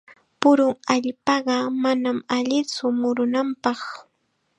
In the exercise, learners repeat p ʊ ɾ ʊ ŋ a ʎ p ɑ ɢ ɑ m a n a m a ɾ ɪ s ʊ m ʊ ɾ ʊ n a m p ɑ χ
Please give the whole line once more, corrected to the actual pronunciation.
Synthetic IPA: p ʊ ɾ ʊ ŋ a ʎ p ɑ ɢ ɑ m a n a m a ʎ ɪ t͡s ʊ m ʊ ɾ ʊ n a m p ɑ χ